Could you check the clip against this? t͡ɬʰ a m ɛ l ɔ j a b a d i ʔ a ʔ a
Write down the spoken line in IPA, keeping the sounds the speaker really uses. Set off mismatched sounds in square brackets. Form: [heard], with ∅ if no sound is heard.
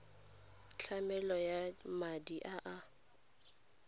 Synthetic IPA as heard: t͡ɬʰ a m ɛ l ɔ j a [m] a d i ʔ a ʔ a